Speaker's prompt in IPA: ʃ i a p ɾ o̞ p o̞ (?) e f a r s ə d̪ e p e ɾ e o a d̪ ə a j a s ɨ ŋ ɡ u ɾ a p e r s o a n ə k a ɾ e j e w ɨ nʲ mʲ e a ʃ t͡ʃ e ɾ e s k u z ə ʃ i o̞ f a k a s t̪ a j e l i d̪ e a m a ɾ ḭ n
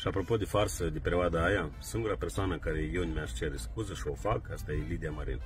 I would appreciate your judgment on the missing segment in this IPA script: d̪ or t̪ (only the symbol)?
d̪